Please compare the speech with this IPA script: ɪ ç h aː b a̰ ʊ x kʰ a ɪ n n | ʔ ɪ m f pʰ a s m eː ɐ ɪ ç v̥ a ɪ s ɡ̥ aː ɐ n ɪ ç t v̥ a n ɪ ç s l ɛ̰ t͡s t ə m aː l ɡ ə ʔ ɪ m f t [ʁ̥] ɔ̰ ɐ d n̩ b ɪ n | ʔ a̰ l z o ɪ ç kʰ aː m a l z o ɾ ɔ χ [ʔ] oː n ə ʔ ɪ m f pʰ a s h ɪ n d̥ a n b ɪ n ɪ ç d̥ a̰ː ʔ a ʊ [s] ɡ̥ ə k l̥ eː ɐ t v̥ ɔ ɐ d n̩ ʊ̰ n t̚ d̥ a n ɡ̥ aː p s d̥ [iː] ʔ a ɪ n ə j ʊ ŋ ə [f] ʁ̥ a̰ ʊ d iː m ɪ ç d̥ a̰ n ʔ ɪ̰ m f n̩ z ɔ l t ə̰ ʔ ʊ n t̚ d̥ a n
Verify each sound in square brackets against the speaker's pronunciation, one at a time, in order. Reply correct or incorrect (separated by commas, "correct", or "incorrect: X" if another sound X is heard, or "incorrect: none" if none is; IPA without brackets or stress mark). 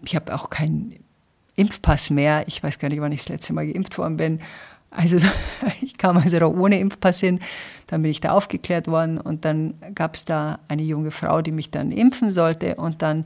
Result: incorrect: v̥, correct, incorrect: f, incorrect: aː, correct